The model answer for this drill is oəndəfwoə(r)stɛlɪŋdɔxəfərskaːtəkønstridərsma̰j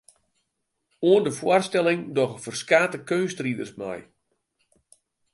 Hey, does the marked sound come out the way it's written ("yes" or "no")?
yes